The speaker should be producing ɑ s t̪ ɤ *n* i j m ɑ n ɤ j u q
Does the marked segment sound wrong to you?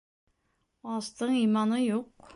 yes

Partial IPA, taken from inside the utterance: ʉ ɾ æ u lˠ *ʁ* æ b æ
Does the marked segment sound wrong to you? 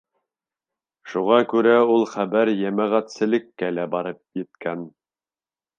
yes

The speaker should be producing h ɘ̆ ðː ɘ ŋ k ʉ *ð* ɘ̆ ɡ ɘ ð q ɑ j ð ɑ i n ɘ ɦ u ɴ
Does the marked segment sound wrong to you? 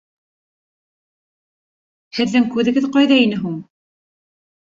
no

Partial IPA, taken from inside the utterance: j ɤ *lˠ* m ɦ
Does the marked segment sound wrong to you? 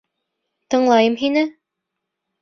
yes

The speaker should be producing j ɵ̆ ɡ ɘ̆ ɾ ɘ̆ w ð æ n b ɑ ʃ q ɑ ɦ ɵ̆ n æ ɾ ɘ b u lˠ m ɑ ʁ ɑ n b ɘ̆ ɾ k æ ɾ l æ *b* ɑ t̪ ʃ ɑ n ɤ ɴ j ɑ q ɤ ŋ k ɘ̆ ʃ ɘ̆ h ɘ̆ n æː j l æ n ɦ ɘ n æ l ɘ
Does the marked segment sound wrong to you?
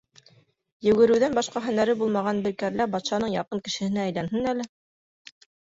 no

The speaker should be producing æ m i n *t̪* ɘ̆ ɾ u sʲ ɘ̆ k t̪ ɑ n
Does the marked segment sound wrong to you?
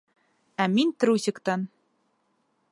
no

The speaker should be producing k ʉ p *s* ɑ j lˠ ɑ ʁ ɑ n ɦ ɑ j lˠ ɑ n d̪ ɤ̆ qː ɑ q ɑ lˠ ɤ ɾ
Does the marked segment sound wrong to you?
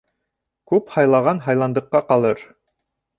yes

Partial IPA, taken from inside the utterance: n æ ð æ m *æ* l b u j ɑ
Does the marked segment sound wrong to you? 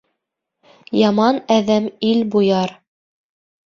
yes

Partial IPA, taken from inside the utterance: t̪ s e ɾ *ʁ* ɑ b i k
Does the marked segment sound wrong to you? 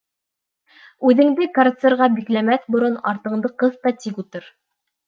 no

